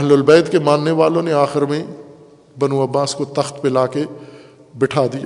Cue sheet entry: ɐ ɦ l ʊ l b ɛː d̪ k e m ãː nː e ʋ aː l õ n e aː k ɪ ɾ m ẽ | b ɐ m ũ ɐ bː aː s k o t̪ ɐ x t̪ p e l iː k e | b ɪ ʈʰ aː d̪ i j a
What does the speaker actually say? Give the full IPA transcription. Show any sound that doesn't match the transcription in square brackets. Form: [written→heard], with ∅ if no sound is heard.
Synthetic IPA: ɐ ɦ l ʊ l b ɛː d̪ k e m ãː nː e ʋ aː l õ n e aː [k→x] ɪ ɾ m ẽ | b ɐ [m→n] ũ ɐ bː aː s k o t̪ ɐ x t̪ p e l [iː→aː] k e | b ɪ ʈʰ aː d̪ i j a